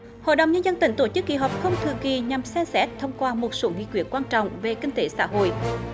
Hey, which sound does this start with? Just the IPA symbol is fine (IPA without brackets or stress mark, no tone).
h